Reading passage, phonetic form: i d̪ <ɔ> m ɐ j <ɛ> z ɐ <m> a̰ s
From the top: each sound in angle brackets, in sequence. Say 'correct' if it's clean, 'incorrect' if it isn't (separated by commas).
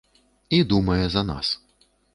incorrect, correct, incorrect